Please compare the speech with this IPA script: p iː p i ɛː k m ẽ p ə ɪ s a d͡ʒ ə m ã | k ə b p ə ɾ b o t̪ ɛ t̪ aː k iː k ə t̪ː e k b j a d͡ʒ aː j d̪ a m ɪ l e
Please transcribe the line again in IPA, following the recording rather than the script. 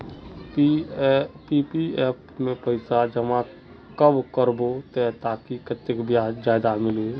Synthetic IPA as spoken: p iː p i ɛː p m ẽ p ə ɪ s a d͡ʒ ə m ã | k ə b k ə ɾ b o t̪ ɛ t̪ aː k i k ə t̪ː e k b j a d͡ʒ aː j d̪ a m ɪ l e